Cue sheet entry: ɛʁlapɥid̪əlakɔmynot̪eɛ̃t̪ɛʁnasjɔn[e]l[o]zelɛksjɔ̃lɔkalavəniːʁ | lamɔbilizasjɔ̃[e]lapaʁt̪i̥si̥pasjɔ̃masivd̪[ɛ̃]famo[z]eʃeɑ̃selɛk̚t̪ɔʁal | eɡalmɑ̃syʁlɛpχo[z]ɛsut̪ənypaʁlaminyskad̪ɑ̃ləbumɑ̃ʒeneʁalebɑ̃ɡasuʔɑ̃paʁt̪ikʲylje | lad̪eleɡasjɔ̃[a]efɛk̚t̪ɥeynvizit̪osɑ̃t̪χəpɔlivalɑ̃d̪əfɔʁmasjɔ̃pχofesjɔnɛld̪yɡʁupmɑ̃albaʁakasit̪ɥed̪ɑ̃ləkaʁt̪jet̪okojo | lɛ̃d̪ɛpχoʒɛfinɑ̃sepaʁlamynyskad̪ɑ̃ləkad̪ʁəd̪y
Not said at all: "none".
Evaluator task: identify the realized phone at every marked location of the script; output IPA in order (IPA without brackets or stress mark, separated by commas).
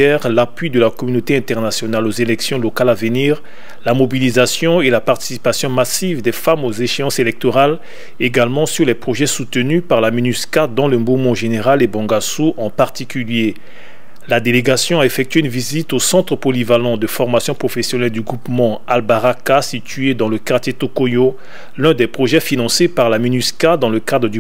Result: a, o, e, ɛ, z, ʒ, a